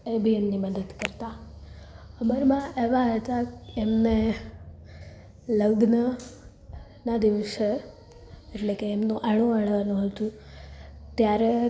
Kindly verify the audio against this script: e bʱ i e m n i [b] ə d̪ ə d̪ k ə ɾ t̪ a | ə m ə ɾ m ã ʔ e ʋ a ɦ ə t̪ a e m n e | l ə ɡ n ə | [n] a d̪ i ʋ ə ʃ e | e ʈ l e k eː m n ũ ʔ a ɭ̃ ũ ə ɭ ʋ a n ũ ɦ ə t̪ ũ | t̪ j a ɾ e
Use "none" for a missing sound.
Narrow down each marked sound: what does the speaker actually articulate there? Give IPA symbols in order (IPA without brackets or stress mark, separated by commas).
m, n